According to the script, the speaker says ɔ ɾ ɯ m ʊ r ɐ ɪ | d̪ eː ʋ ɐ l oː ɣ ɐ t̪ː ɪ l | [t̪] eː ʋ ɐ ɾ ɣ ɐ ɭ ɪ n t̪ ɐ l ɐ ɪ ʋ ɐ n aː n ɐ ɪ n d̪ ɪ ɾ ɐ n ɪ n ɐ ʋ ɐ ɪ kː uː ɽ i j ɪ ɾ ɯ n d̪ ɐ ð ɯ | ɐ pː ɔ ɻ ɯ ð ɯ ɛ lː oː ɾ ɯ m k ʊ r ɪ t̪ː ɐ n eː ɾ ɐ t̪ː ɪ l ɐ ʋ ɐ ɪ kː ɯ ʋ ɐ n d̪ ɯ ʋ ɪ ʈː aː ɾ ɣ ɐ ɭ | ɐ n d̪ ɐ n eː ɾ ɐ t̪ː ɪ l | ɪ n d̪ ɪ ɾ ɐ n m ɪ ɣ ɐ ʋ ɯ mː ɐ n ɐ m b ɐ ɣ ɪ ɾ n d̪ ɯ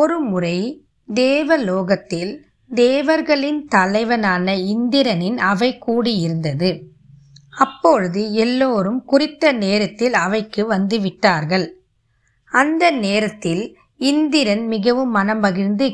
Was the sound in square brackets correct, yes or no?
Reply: no